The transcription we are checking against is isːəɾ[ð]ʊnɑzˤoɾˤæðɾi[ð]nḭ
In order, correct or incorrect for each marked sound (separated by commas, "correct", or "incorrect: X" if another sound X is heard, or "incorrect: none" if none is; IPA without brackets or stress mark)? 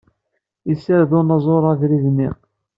correct, correct